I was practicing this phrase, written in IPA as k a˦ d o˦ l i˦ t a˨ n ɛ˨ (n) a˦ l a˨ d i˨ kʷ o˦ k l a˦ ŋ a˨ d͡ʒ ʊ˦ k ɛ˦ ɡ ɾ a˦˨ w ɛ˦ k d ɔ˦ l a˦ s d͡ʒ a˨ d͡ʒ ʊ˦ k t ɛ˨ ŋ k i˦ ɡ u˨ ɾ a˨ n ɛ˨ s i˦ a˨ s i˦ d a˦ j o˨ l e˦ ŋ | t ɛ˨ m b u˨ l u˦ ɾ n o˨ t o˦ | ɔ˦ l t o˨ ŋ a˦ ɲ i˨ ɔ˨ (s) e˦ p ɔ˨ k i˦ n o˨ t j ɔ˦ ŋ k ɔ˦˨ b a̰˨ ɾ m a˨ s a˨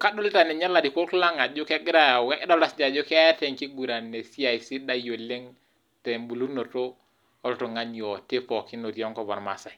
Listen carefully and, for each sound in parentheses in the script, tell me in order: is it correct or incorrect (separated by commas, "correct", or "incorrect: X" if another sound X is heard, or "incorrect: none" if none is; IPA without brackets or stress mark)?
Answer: incorrect: ɲ, incorrect: t